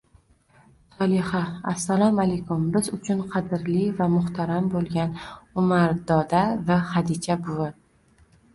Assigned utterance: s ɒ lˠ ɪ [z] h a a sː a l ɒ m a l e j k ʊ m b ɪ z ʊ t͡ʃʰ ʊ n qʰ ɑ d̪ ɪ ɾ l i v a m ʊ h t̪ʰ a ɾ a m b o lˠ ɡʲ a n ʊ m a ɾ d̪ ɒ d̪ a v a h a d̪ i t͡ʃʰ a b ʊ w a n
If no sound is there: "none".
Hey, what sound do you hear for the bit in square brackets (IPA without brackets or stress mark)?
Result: none